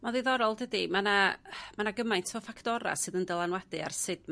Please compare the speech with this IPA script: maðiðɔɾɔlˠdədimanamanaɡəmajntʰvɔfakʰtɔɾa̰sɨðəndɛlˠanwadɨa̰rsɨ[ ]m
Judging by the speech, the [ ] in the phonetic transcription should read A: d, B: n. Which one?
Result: A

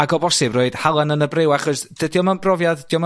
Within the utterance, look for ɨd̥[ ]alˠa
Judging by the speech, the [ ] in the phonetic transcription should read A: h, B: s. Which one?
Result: A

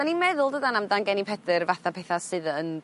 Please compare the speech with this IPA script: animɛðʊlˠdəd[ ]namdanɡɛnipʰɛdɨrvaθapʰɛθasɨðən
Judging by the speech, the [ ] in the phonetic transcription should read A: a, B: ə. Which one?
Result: A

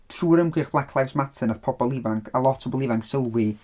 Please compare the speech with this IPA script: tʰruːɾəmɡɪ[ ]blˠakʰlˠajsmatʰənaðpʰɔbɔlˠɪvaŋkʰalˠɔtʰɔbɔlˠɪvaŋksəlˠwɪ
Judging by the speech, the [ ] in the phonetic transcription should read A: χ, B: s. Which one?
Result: A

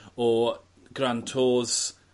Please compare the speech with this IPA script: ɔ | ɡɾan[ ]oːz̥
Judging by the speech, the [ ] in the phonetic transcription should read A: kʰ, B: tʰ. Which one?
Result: B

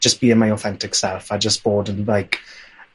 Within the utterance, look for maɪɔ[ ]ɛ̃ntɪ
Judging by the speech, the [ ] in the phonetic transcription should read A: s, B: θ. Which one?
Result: B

